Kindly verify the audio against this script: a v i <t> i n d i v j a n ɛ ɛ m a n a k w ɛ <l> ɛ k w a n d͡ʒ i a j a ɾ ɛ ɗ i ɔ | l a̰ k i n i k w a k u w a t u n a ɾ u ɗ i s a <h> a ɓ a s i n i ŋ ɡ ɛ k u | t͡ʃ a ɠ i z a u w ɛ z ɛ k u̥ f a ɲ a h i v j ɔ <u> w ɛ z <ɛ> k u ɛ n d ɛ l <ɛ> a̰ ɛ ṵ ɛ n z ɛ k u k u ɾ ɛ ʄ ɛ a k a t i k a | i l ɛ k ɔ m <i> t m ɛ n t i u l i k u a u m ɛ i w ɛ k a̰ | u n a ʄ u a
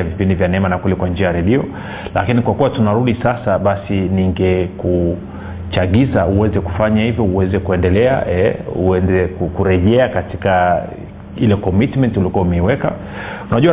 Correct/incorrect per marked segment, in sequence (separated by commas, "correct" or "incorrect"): incorrect, correct, incorrect, correct, correct, correct, correct